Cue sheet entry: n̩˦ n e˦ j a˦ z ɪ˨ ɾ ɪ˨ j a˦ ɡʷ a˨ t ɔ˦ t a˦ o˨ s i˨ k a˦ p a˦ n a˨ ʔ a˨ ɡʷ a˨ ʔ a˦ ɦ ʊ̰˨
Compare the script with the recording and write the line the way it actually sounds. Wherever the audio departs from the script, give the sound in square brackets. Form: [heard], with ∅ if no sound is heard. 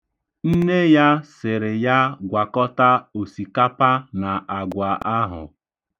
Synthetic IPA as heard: n̩˦ n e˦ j a˦ [s] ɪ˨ ɾ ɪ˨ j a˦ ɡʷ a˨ [k] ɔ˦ t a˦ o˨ s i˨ k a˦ p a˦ n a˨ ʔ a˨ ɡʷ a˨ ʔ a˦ ɦ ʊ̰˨